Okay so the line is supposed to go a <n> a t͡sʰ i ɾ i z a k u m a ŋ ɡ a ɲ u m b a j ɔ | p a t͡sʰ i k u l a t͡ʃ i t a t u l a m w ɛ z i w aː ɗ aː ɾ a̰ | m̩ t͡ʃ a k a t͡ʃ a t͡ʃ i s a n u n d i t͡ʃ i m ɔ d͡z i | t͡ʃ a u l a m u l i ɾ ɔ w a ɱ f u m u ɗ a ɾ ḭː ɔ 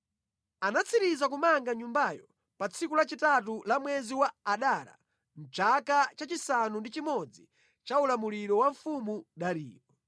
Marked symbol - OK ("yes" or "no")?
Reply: yes